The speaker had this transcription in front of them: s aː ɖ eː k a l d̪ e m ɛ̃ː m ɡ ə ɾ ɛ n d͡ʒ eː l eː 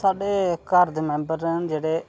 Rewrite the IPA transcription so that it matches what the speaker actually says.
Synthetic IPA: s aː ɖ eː k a ɾ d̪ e m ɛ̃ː m b ə ɾ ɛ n d͡ʒ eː ɽ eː